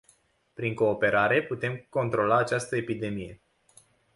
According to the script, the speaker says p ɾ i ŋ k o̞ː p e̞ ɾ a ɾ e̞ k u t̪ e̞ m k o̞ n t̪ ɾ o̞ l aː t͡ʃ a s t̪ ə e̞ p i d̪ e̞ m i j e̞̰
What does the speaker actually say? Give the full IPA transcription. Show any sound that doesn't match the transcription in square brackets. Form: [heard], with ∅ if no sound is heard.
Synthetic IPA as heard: p ɾ i ŋ k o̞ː p e̞ ɾ a ɾ e̞ [p] u t̪ e̞ m k o̞ n t̪ ɾ o̞ l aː t͡ʃ a s t̪ ə e̞ p i d̪ e̞ m i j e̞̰